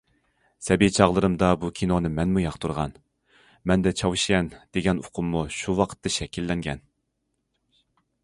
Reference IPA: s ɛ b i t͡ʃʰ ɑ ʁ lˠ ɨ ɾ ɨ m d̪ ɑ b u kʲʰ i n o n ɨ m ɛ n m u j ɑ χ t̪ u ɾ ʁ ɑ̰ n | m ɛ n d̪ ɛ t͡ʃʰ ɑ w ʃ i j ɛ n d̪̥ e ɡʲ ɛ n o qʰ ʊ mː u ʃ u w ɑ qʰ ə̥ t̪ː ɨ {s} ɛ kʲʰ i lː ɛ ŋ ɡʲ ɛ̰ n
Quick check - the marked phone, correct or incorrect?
incorrect